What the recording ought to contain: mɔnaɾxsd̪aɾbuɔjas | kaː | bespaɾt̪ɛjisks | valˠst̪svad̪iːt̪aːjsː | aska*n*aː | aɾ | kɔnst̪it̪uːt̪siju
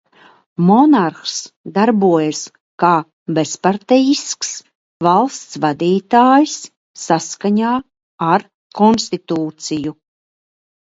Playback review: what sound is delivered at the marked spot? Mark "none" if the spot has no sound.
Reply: ɲ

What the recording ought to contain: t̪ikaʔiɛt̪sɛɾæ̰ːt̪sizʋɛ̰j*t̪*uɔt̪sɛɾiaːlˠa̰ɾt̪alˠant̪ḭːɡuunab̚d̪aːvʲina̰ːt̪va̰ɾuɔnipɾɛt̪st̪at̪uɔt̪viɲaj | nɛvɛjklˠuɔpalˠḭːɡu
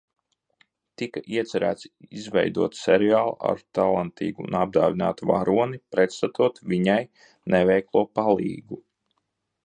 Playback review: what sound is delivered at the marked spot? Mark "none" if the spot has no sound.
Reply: d̪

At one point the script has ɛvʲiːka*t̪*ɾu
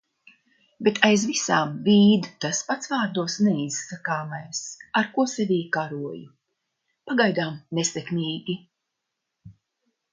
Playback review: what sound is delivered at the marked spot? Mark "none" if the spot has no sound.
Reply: none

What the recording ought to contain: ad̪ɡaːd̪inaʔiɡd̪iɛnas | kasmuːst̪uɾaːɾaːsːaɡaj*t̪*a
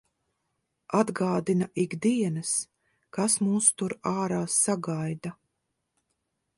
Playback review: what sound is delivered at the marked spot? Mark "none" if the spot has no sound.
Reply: d̪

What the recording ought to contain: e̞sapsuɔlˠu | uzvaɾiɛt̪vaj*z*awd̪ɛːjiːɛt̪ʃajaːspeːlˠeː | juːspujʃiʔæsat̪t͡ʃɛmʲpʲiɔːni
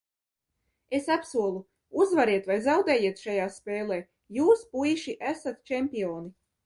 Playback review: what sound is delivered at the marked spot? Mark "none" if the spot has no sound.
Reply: z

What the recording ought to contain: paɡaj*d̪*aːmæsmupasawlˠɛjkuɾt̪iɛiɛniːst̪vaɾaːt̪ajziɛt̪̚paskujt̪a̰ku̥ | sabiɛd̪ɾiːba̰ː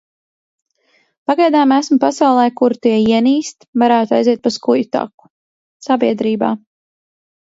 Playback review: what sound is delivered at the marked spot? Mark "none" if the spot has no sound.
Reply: d̪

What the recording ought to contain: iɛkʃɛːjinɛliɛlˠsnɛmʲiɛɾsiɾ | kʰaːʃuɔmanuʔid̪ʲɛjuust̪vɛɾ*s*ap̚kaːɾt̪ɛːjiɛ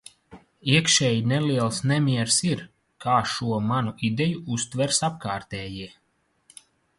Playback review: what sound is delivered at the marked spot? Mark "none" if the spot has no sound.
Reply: s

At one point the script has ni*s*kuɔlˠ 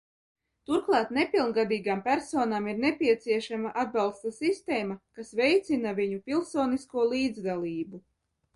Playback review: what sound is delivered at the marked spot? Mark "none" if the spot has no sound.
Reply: s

